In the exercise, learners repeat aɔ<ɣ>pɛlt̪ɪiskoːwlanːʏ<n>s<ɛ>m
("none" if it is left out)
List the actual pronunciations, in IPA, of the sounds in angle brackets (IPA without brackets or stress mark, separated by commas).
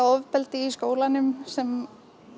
v, m, ɛ